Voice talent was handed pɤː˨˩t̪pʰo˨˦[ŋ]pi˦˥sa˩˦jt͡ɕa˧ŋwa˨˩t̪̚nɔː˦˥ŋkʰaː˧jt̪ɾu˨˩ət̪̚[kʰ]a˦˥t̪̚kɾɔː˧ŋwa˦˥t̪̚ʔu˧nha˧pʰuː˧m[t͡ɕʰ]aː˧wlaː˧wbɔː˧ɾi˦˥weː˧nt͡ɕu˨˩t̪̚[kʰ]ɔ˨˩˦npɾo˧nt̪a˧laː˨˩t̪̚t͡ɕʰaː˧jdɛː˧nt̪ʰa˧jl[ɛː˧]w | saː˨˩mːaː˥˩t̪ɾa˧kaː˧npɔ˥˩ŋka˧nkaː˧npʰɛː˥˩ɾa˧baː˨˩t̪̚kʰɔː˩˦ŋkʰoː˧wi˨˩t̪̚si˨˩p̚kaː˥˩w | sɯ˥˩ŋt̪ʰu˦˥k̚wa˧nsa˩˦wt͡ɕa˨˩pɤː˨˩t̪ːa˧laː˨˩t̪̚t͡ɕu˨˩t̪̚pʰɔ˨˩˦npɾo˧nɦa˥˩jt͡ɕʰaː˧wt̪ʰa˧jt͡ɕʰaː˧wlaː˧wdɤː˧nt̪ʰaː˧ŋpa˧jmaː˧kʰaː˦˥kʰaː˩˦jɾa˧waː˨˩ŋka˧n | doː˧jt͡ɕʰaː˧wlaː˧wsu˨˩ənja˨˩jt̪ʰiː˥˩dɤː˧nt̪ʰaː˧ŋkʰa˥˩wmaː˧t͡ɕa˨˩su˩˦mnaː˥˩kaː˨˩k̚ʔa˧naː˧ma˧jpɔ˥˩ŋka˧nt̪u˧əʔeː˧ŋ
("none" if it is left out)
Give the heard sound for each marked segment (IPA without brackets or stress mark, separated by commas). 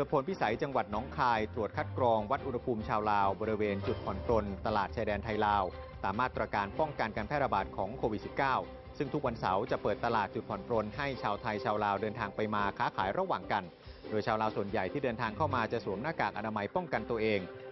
n, kʰ, t͡ɕʰ, pʰ, aː˧